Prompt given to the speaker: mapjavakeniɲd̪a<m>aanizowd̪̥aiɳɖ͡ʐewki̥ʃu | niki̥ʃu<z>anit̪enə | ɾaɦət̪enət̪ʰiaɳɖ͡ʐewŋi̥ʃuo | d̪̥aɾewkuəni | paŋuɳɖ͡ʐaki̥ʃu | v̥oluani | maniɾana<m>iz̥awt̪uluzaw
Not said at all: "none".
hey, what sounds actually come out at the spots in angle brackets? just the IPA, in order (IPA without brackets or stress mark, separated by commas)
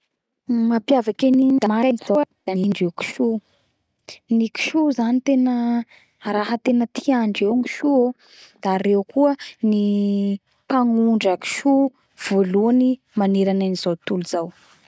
m, z, n